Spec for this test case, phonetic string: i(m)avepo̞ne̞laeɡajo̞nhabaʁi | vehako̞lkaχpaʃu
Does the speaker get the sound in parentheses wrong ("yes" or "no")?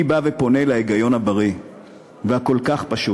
yes